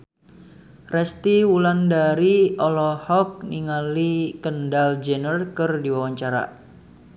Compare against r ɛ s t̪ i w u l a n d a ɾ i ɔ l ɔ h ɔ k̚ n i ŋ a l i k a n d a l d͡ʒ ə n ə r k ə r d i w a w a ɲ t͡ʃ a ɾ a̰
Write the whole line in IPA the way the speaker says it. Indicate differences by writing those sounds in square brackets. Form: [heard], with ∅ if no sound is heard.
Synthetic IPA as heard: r ɛ s t̪ i w u l a n d a ɾ i ɔ l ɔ h ɔ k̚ n i ŋ a l i k [ə] n d a l d͡ʒ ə n ə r k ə r d i w a w a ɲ t͡ʃ a ɾ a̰